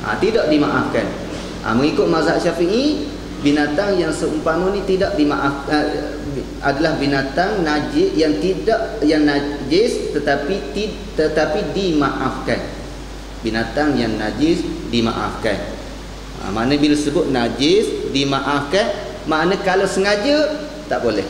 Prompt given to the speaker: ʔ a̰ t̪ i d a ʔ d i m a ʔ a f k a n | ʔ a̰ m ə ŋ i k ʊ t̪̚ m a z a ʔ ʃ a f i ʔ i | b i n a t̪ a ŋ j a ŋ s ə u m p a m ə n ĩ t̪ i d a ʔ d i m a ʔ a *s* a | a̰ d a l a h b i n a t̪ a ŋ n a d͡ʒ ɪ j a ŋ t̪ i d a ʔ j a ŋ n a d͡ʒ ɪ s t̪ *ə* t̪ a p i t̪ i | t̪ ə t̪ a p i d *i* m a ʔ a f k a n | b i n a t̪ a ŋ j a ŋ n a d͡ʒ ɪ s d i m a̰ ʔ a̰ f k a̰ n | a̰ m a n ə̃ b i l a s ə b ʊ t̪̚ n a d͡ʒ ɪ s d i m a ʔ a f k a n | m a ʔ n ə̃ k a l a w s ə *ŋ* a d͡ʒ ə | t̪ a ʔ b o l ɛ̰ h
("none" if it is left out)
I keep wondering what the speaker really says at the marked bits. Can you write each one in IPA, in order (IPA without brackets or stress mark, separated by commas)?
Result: f, ə, i, ŋ